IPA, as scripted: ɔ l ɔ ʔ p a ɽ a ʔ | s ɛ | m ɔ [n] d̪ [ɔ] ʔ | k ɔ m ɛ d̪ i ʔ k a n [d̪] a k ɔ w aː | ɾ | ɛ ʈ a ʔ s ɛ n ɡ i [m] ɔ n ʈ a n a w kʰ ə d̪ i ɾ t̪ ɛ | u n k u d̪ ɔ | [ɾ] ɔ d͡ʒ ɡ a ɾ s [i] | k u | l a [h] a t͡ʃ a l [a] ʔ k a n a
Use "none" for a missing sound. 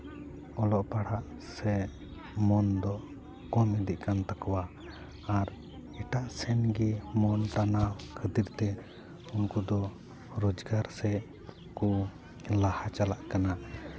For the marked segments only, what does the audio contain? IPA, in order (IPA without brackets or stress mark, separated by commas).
n, ɔ, t̪, m, ɾ, ɛ, h, a